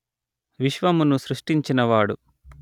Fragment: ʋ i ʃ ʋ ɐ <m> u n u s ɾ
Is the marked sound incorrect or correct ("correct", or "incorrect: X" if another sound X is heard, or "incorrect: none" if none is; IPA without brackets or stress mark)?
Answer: correct